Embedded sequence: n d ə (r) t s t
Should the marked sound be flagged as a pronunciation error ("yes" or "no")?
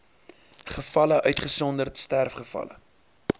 no